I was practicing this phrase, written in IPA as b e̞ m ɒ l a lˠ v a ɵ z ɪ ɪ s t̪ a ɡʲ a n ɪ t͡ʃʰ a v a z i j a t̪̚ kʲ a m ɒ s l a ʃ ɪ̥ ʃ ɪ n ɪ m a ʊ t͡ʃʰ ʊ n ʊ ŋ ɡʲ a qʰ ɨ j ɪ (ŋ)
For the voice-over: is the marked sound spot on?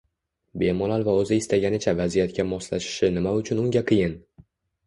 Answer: no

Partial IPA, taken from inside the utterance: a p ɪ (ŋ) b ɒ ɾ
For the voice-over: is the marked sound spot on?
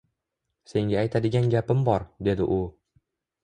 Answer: no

